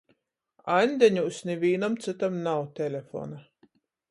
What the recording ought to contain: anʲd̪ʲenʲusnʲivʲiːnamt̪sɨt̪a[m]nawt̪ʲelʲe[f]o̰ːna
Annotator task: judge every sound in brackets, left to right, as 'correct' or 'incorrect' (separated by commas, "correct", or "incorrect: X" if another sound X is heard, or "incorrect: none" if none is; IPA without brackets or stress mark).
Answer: correct, correct